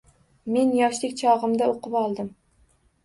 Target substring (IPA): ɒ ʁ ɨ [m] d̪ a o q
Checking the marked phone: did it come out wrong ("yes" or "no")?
no